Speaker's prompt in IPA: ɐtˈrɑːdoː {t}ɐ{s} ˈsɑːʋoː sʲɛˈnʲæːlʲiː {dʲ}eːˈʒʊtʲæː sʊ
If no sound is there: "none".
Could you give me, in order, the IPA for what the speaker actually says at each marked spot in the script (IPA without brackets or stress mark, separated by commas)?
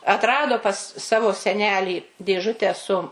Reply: p, s, dʲ